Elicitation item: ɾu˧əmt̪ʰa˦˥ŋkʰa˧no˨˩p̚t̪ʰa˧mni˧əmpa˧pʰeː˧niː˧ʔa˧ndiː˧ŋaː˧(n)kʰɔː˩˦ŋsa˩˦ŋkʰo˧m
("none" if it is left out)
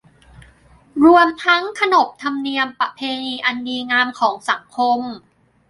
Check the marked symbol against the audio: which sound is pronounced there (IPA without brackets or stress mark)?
m